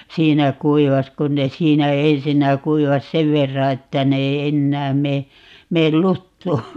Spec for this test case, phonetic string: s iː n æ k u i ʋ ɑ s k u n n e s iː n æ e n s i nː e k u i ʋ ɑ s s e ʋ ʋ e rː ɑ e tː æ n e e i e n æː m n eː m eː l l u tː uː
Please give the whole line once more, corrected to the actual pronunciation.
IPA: s iː n æ k u i ʋ ɑ s k u n n e s iː n æ e n s i nː æ k u i ʋ ɑ s s e ʋ ʋ e rː ɑ e tː æ n e e i e nː æː m m eː m eː l l u tː uː